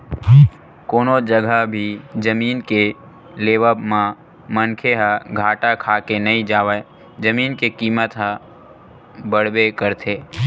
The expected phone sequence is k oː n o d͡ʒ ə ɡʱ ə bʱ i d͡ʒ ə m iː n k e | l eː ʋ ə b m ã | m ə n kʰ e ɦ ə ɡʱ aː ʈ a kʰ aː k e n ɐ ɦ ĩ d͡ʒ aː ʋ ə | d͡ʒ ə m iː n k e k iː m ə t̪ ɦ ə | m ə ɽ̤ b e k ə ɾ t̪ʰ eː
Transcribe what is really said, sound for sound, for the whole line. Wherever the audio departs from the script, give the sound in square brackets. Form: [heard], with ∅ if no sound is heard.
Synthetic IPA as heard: k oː n o d͡ʒ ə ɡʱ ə bʱ i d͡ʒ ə m iː n k e | l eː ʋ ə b m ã | m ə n kʰ e ɦ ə ɡʱ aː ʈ a kʰ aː k e n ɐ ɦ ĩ d͡ʒ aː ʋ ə | d͡ʒ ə m iː n k e k iː m ə t̪ ɦ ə | [b] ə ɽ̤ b e k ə ɾ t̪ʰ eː